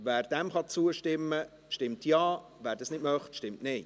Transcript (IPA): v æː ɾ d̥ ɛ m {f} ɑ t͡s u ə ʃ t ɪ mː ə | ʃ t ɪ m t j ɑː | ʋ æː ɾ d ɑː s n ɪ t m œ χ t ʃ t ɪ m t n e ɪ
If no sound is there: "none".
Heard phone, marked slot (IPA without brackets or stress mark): χ